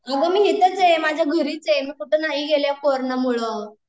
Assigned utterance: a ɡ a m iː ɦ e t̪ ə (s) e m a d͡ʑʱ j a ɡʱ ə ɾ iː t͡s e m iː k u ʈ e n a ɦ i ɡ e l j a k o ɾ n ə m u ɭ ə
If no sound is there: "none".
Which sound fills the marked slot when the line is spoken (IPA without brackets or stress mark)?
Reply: t͡s